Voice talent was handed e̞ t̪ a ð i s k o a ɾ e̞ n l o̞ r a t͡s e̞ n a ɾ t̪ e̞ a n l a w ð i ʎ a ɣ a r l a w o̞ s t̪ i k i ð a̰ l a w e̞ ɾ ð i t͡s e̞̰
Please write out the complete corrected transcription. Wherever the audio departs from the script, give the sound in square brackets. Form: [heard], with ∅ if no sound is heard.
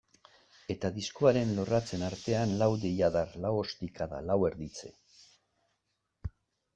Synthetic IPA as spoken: e̞ t̪ a ð i s k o a ɾ e̞ n l o̞ r a t͡s e̞ n a ɾ t̪ e̞ a n l a w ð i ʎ a [ð] a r l a w o̞ s t̪ i k [a] ð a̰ l a w e̞ ɾ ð i t͡s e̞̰